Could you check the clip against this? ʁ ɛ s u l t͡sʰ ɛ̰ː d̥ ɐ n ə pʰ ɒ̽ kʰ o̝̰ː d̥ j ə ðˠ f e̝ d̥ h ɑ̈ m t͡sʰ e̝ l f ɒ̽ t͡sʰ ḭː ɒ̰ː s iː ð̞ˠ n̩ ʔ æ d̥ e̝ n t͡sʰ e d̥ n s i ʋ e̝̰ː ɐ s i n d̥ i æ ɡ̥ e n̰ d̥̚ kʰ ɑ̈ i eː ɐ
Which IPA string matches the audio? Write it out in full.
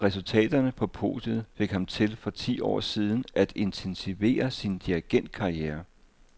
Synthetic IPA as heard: ʁ ɛ s u l t͡sʰ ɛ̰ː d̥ ɐ n ə pʰ ɒ̽ pʰ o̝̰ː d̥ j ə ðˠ f e̝ ɡ̥ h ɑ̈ m t͡sʰ e̝ l f ɒ̽ t͡sʰ ḭː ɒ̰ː s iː ð̞ˠ n̩ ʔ æ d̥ e̝ n t͡sʰ e n s i ʋ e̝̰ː ɐ s i n d̥ i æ ɡ̥ e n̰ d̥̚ kʰ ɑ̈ i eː ɐ